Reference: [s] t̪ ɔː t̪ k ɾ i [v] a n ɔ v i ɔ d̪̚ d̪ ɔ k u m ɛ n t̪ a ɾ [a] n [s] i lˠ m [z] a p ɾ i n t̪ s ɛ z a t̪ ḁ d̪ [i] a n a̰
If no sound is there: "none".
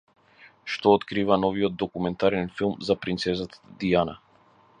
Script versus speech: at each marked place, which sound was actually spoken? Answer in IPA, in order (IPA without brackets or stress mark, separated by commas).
ʃ, v, ɛ, f, z, i